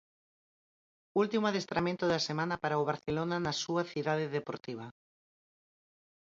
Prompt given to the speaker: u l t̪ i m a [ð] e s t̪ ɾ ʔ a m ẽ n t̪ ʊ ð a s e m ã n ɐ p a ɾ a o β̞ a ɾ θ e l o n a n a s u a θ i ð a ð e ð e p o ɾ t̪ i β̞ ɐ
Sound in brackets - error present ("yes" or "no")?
no